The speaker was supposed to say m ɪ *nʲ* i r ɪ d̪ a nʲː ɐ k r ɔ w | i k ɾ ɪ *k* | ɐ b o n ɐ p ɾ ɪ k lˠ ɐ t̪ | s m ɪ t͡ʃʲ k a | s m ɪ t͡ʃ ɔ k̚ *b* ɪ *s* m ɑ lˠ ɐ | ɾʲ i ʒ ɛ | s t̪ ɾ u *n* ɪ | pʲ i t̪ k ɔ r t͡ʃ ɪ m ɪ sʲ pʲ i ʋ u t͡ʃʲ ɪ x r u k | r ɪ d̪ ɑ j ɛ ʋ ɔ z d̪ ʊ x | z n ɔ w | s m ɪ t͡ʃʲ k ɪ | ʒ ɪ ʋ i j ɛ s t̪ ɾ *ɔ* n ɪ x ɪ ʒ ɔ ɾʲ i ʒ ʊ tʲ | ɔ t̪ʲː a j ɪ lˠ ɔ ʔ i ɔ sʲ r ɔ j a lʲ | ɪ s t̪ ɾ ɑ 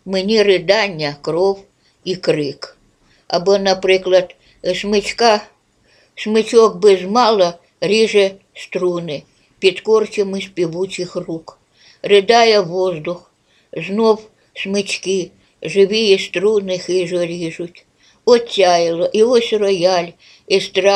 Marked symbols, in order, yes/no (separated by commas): yes, yes, yes, no, yes, no